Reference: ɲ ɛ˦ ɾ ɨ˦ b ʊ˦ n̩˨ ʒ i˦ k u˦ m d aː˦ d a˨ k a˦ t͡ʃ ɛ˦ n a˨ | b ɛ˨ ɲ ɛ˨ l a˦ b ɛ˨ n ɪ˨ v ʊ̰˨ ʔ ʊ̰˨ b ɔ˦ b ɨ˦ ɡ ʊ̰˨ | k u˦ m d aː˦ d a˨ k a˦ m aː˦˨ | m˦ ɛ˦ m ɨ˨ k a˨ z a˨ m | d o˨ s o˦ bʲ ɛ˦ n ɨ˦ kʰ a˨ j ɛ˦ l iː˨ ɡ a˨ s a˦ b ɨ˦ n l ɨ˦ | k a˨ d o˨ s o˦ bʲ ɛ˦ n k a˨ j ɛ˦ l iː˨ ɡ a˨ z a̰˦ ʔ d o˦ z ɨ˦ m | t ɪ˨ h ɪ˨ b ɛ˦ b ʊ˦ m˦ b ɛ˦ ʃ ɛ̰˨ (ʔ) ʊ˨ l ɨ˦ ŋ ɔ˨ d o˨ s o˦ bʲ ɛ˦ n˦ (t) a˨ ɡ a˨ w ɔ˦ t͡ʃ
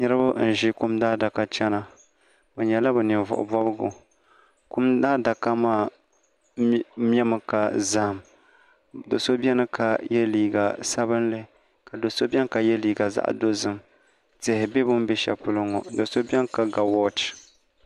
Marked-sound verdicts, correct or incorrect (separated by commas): incorrect, incorrect